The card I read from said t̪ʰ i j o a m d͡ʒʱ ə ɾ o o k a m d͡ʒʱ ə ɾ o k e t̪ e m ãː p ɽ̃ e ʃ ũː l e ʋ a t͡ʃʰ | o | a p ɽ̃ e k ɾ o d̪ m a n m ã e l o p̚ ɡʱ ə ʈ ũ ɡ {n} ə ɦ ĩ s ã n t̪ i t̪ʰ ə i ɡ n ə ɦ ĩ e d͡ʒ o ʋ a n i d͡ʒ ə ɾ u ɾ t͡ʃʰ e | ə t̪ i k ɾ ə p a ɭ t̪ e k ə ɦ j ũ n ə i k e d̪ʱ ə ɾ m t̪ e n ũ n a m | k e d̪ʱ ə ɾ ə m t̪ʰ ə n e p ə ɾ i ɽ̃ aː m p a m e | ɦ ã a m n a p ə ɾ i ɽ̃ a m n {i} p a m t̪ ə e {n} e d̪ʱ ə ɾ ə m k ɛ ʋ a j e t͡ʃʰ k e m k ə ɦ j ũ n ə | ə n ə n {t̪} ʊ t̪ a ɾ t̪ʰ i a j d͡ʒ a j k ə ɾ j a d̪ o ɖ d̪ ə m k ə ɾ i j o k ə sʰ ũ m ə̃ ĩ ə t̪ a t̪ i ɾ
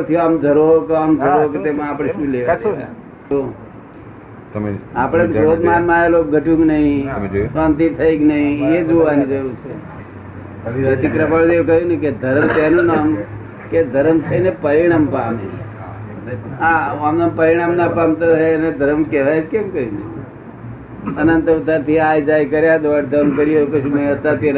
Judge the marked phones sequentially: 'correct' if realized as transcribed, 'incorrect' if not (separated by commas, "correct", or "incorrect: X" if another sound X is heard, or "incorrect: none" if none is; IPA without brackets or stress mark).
correct, incorrect: a, correct, correct